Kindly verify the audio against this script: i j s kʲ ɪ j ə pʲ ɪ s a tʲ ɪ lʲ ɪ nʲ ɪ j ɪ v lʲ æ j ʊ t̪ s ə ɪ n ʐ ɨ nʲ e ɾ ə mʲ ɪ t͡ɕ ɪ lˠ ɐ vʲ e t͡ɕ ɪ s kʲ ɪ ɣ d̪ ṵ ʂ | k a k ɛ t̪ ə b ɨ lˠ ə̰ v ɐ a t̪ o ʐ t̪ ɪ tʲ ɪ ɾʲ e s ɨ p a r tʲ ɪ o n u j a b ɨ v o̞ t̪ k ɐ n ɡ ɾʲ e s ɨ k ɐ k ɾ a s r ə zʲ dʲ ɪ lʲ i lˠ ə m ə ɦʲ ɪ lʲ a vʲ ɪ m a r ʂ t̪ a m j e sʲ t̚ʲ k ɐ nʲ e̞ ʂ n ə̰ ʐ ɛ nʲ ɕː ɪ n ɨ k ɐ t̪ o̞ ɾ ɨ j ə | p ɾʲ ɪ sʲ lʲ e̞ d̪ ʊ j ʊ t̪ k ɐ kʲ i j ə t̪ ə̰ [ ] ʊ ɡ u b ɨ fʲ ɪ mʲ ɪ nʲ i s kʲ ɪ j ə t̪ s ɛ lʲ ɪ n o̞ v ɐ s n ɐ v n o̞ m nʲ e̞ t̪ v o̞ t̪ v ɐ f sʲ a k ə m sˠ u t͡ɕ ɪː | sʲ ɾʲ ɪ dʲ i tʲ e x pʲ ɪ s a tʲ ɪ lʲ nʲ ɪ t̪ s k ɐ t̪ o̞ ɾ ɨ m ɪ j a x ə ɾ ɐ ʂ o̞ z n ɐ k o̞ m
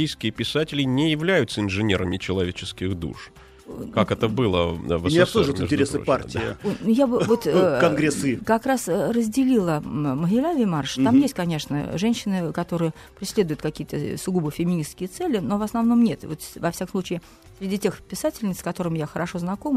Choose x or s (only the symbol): s